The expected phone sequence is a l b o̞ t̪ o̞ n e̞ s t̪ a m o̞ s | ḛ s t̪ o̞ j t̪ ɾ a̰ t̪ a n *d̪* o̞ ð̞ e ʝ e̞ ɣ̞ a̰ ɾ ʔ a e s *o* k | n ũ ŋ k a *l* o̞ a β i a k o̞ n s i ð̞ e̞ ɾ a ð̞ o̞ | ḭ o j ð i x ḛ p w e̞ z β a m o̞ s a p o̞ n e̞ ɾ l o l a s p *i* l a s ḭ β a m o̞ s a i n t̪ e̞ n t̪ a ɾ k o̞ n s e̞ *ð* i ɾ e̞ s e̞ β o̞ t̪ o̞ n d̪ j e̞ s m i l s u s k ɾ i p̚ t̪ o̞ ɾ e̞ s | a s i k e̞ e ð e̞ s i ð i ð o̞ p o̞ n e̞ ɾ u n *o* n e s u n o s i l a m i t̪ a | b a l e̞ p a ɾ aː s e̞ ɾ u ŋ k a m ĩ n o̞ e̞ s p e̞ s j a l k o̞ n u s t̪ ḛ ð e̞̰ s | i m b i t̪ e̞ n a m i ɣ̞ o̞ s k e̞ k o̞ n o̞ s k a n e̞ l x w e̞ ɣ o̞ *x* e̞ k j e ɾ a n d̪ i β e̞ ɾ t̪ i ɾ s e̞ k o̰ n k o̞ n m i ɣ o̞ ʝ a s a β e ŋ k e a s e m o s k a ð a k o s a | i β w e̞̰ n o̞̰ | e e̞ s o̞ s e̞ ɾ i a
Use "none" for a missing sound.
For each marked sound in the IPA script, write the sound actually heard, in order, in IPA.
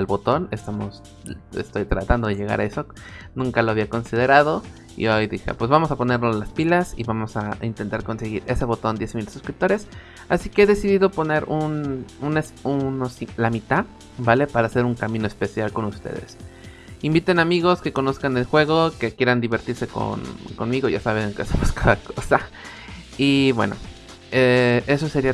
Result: d̪, o, l, i, ɣ, u, k

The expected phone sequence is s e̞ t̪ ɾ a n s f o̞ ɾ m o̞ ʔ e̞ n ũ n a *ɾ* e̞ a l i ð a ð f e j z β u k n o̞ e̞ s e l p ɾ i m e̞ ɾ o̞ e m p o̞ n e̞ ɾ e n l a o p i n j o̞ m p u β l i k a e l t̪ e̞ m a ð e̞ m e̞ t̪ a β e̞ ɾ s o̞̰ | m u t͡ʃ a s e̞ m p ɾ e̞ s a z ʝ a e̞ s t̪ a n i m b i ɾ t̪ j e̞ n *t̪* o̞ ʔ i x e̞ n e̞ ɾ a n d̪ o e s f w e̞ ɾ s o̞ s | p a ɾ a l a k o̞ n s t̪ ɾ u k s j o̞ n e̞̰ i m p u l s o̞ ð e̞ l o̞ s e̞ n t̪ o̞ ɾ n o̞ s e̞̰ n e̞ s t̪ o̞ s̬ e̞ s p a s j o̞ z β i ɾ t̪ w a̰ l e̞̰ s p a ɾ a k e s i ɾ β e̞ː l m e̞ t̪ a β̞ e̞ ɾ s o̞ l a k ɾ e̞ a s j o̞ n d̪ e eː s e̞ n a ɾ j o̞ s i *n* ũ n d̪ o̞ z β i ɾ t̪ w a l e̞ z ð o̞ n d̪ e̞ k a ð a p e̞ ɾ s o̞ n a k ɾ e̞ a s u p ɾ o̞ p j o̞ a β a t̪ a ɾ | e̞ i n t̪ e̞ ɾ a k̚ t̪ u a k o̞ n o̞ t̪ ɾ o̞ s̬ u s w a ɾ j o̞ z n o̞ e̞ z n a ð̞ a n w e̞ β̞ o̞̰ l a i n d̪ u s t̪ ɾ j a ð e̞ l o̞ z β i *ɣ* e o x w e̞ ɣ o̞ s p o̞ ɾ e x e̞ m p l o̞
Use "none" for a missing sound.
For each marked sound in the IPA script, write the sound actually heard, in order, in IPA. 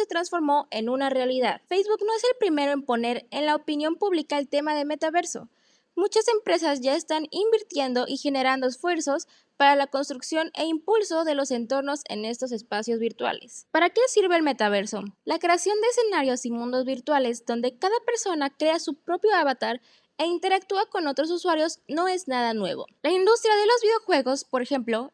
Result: r, d̪, m, ð

